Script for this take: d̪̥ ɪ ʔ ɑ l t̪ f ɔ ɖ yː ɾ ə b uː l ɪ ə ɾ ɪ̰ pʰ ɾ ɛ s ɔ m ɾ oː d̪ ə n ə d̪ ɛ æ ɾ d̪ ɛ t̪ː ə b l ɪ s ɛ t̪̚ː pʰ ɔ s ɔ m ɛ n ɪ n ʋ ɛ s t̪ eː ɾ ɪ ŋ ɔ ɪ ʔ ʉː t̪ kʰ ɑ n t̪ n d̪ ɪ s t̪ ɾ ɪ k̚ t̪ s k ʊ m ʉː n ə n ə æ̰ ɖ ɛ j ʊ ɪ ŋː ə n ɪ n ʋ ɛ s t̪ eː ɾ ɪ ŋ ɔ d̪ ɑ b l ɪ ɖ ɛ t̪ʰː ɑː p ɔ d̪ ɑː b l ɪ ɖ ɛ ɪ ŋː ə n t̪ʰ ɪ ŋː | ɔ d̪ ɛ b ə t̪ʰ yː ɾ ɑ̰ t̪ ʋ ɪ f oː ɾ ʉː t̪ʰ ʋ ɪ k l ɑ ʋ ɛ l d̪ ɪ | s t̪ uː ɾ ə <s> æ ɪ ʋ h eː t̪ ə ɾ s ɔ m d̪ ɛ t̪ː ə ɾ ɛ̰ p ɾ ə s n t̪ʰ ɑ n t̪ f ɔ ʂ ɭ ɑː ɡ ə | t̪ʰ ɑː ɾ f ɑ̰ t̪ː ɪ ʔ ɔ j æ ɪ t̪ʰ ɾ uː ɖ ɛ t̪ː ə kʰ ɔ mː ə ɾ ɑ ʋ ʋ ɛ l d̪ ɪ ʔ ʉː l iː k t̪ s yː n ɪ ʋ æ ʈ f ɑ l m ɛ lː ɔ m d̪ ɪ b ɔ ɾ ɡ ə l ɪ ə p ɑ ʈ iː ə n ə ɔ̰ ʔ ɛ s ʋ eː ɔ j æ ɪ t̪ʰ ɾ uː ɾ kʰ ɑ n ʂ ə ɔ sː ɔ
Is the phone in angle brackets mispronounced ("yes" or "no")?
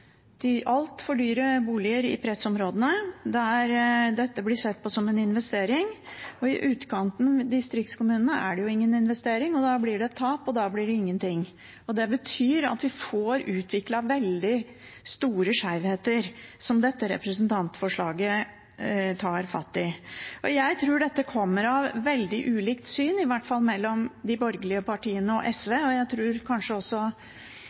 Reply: yes